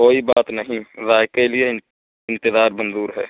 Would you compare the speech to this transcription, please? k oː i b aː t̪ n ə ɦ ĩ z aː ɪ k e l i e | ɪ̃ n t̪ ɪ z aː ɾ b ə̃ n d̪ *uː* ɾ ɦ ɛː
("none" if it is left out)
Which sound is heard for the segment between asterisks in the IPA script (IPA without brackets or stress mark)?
uː